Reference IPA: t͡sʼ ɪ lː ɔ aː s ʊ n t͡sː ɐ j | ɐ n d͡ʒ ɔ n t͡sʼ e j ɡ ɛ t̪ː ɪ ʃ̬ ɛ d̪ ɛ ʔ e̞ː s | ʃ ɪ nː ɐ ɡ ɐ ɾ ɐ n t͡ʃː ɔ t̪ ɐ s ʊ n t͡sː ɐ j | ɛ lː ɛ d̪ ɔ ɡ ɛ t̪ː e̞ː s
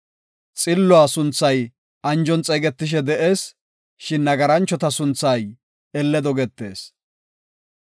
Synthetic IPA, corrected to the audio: t͡sʼ ɪ lː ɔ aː s ʊ n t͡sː ɐ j | ɐ n d͡ʒ ɔ n t͡sʼ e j ɡ ɛ t̪ː ɪ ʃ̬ ɛ d̪ ɛ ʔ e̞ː s | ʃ ɪ nː ɐ ɡ ɐ ɾ ɐ n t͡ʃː ɔ t̪ ɐ s ʊ n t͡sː ɐ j | ɛ lː ɛ d̪ ɔ ɡ ɛ t̪ː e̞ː s